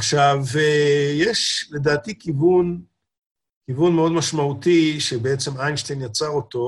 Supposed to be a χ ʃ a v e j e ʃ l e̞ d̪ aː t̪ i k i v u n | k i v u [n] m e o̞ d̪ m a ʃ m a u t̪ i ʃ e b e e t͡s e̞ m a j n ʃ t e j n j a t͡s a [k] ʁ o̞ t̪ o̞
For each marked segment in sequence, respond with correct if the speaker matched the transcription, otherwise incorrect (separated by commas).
correct, incorrect